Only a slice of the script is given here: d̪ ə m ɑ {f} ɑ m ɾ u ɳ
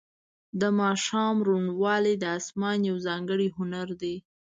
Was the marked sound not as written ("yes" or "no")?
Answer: yes